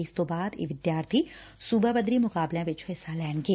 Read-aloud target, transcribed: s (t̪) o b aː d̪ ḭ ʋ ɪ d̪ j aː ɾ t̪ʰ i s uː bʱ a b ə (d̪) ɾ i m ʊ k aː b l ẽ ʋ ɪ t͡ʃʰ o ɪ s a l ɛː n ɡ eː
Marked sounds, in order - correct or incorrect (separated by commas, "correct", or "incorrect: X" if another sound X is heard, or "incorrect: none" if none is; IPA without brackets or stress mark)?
correct, correct